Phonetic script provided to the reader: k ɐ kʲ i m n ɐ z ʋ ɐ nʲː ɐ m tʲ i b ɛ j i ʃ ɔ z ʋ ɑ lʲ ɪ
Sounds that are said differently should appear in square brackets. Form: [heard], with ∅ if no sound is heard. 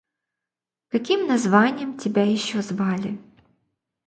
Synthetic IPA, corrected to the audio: k ɐ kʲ i m n ɐ z ʋ [ɑ] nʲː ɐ m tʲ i b ɛ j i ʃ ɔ z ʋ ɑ lʲ ɪ